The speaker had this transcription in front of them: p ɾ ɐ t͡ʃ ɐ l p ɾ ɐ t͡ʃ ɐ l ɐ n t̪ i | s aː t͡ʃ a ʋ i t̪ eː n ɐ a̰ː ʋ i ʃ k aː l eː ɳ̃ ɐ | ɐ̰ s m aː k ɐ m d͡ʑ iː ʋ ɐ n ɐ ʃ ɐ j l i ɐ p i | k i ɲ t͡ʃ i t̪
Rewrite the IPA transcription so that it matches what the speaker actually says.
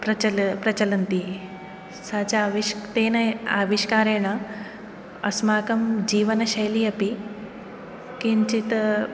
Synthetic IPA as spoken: p ɾ ɐ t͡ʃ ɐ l p ɾ ɐ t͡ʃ ɐ l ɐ n t̪ i | s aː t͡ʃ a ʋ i t̪ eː n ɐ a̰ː ʋ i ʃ k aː ɾ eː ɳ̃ ɐ | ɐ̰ s m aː k ɐ m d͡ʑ iː ʋ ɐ n ɐ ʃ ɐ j l i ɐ p i | k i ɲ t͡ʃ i t̪